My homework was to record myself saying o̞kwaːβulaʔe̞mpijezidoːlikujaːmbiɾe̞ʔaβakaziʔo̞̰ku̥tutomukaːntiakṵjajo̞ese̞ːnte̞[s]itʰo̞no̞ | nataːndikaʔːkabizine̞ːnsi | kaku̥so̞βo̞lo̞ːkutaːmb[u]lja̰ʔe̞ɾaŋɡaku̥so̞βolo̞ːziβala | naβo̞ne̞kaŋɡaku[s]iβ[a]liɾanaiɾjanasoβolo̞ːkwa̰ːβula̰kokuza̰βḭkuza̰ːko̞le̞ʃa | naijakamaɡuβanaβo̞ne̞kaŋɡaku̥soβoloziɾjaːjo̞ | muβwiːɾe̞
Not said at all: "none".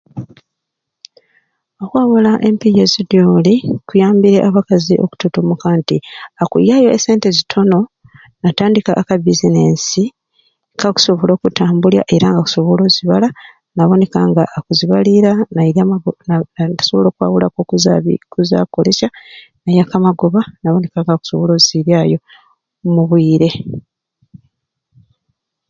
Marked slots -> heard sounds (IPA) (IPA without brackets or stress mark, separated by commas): z, u, z, a